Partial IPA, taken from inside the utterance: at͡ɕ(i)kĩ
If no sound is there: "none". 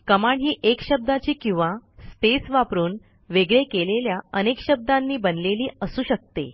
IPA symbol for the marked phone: iː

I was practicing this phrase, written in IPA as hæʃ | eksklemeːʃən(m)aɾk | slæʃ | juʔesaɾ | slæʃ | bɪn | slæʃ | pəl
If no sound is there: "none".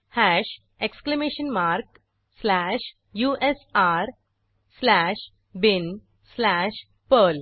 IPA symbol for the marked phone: m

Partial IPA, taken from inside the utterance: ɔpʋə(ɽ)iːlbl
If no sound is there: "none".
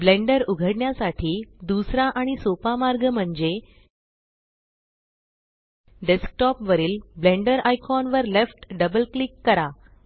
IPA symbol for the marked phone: ɾ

